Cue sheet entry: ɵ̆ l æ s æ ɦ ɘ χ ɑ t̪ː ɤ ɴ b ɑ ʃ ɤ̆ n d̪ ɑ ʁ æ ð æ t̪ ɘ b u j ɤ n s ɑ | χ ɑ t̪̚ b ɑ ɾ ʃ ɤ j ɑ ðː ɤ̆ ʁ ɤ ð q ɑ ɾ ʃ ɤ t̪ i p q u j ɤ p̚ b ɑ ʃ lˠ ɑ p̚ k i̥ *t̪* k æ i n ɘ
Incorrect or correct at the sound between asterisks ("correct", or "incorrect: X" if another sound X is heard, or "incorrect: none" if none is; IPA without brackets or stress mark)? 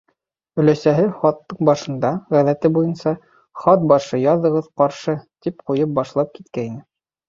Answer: correct